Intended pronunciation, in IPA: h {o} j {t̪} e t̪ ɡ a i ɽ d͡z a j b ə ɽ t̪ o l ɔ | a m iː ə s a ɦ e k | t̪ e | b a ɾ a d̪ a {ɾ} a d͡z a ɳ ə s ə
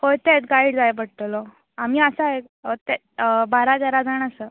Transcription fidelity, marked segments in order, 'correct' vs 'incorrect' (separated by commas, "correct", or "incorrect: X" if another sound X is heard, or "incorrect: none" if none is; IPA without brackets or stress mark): correct, correct, correct